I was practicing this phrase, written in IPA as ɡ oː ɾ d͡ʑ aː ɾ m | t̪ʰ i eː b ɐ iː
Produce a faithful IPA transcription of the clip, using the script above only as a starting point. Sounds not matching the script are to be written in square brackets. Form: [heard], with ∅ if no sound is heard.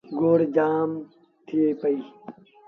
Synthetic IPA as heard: ɡ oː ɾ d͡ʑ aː [∅] m | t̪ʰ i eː [p] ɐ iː